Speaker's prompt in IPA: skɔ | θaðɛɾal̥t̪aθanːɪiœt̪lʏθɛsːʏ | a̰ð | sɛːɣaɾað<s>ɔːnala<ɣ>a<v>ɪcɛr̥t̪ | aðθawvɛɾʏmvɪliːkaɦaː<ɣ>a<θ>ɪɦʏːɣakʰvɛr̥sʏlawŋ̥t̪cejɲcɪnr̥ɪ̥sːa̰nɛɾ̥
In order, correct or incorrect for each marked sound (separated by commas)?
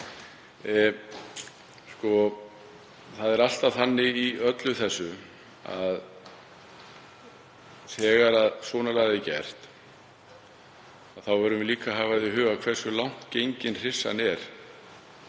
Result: correct, correct, incorrect, incorrect, incorrect